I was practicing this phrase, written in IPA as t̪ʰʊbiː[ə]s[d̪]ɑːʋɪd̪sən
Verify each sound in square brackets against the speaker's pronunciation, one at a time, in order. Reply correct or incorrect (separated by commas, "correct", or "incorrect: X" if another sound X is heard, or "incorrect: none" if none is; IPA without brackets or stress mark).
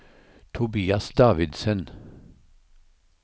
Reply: incorrect: ɑ, correct